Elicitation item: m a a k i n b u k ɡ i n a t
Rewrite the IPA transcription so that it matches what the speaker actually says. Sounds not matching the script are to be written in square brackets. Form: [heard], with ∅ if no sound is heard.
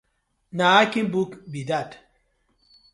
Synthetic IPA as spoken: [n] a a k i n b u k [b] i [d] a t